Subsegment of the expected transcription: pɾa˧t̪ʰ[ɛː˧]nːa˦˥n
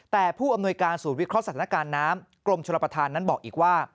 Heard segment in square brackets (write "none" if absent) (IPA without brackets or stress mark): aː˧